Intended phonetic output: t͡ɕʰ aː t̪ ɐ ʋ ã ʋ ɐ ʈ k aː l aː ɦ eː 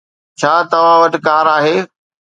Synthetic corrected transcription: t͡ɕʰ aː t̪ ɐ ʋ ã ʋ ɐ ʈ k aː ɾ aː ɦ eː